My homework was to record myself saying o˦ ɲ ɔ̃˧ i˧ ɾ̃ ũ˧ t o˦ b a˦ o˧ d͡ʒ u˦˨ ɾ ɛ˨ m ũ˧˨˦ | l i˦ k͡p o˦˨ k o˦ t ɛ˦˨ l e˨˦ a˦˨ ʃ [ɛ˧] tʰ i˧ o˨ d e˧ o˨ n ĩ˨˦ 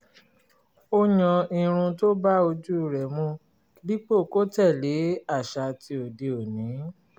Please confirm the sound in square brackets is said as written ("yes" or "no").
no